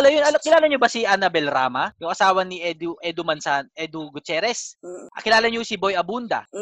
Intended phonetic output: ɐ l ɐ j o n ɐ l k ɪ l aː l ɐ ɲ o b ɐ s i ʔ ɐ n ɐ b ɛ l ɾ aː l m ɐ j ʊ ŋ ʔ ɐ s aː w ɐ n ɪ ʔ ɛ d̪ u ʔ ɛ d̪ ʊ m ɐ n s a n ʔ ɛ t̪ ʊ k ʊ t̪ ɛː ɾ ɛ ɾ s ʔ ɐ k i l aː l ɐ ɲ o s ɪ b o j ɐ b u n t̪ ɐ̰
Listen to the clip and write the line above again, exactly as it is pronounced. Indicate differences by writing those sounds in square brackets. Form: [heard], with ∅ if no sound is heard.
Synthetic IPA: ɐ l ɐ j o n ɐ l k ɪ l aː l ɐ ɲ o b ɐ s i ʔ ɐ n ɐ b ɛ l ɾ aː [∅] m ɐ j ʊ ŋ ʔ ɐ s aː w ɐ n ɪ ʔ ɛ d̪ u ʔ ɛ d̪ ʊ m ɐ n s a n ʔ ɛ [d̪] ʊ [ɡ] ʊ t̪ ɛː ɾ ɛ [∅] s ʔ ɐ k [ɪ] l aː l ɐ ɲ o s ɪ b o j ɐ b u n [d̪] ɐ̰